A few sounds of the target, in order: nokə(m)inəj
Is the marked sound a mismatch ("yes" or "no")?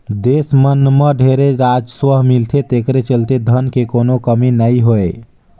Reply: no